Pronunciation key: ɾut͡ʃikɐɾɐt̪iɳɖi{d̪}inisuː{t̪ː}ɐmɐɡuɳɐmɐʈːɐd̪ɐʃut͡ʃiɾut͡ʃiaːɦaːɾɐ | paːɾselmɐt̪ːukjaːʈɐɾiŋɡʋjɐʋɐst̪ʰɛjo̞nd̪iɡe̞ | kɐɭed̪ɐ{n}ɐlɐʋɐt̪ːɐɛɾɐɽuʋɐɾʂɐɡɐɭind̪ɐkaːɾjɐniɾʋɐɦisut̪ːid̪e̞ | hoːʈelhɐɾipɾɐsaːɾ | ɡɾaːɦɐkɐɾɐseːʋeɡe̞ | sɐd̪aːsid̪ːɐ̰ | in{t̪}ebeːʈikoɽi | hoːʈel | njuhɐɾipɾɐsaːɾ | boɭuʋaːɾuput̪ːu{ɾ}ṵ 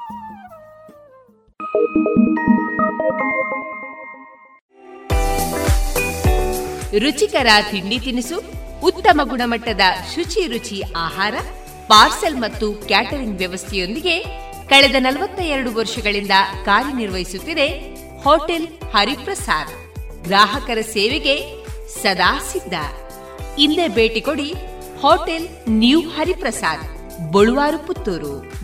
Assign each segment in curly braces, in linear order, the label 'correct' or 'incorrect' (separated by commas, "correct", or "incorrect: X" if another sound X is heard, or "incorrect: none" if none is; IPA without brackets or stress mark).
incorrect: t̪, correct, correct, incorrect: d̪, correct